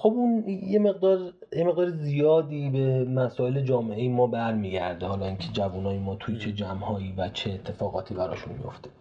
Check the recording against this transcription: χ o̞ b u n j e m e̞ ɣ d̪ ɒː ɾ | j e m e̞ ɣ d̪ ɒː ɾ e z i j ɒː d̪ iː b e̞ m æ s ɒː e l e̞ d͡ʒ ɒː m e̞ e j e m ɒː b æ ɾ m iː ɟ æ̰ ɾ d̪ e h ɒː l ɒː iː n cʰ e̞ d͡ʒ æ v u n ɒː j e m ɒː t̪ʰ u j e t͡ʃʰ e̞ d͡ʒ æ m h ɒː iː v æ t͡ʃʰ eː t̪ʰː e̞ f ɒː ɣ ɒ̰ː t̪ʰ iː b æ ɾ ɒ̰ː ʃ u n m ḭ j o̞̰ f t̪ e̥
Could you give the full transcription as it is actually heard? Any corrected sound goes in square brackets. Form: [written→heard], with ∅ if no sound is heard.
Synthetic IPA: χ o̞ b u n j e m e̞ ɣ d̪ ɒː ɾ | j e m e̞ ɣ d̪ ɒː ɾ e z i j ɒː d̪ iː b e̞ m æ s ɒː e l e̞ d͡ʒ ɒː m e̞ e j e m ɒː b æ ɾ m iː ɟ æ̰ ɾ d̪ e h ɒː l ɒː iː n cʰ e̞ d͡ʒ æ v u n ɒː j e m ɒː t̪ʰ u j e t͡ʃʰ e̞ d͡ʒ æ m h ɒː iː v æ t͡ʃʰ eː t̪ʰː e̞ f ɒː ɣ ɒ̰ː t̪ʰ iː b æ ɾ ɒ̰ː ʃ u n m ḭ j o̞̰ f t̪ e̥